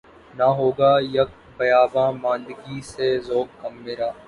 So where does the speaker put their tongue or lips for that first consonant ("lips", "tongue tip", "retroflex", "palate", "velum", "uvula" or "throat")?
tongue tip